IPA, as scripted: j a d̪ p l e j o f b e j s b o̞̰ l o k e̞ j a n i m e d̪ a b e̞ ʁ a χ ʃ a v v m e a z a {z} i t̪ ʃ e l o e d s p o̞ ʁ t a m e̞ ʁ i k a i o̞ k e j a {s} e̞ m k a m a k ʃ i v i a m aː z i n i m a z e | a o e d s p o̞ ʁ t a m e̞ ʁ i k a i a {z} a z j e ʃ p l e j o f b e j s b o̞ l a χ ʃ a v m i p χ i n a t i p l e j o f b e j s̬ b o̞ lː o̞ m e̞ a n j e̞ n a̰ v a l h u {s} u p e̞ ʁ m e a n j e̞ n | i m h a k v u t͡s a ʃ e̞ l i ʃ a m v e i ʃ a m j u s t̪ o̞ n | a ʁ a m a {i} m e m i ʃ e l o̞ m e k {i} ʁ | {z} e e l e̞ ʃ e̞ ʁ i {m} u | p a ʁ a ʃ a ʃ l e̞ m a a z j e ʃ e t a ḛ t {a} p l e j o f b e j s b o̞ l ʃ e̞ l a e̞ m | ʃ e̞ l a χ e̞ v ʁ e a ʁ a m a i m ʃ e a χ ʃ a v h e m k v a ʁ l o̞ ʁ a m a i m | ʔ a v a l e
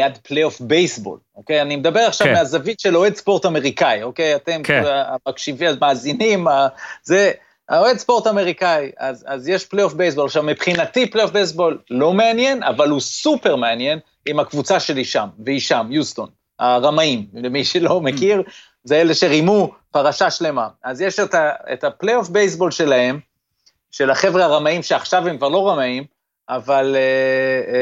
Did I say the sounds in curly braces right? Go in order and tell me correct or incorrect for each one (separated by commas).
incorrect, incorrect, correct, correct, correct, correct, correct, correct, correct